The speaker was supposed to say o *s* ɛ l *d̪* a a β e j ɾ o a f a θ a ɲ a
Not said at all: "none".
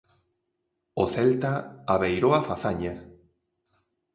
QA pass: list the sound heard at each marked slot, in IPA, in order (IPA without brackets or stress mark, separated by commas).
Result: θ, t̪